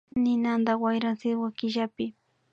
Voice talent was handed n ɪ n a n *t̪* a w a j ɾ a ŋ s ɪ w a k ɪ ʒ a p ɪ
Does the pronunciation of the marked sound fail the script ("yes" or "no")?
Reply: yes